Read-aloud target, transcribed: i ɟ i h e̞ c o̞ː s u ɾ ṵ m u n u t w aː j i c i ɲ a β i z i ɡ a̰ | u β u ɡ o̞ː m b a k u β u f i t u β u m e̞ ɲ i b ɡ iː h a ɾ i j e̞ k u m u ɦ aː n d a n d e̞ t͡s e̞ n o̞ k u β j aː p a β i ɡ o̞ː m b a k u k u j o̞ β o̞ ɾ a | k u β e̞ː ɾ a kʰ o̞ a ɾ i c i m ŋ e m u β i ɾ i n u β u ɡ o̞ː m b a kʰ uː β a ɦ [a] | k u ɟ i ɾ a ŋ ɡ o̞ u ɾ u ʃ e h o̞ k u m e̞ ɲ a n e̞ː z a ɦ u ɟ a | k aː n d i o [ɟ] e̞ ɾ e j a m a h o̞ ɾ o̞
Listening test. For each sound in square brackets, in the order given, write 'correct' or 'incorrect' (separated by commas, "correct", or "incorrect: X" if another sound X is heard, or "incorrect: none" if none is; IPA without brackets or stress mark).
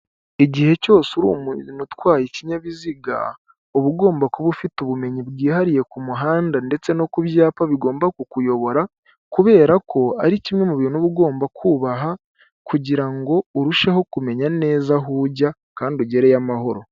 correct, correct